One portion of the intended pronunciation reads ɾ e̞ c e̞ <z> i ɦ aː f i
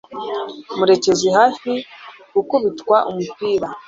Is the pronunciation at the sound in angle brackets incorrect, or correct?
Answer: correct